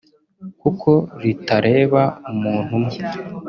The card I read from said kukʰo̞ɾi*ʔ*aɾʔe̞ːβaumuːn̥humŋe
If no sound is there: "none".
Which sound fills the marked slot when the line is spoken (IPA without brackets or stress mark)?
t